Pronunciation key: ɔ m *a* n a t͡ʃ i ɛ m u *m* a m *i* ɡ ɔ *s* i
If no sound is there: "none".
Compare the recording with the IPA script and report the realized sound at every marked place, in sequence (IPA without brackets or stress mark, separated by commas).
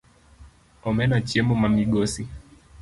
ɛ, m, i, s